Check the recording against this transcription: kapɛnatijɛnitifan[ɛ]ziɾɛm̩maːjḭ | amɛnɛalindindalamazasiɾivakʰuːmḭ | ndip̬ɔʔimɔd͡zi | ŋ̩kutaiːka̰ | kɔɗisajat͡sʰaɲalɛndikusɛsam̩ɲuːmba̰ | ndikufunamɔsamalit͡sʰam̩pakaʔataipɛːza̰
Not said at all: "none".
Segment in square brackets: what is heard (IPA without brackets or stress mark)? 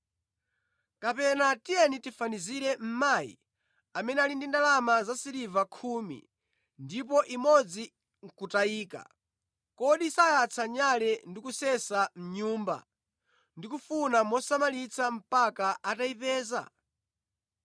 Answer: i